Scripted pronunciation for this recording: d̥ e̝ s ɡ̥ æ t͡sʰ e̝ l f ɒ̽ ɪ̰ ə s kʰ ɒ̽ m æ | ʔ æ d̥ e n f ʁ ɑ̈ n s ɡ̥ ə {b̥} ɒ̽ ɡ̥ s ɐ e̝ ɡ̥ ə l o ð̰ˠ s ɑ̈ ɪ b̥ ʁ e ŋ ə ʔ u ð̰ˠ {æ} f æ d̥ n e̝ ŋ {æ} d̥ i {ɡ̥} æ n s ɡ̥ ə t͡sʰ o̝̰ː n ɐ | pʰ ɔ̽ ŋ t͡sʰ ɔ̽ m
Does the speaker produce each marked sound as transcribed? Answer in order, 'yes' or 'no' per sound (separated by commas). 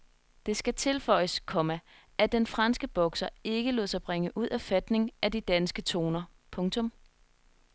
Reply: yes, yes, yes, no